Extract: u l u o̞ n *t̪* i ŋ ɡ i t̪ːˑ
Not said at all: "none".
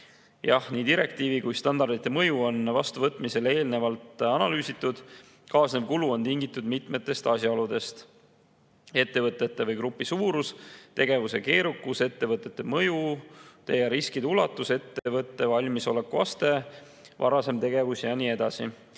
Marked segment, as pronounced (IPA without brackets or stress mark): t̪